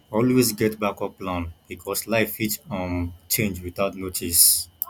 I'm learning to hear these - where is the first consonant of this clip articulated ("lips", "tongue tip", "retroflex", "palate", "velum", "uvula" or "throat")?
tongue tip